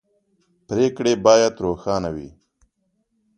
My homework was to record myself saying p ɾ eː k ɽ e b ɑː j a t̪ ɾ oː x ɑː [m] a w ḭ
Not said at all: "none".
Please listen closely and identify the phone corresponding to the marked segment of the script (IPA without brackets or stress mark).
n